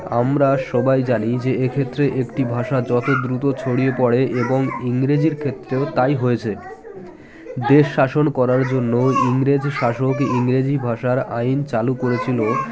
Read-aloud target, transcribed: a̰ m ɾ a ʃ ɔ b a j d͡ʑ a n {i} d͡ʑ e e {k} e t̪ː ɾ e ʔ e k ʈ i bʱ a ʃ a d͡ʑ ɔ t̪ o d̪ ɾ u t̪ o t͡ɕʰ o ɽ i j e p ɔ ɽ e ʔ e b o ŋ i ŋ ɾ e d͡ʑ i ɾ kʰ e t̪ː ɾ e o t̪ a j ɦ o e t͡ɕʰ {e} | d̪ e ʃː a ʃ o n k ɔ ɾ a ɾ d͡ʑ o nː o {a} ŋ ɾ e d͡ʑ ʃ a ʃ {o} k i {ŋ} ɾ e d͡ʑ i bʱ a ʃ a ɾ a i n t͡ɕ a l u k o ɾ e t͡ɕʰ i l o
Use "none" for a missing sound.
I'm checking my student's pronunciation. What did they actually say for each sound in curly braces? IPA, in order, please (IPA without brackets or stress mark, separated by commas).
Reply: i, kʰ, e, i, o, ŋ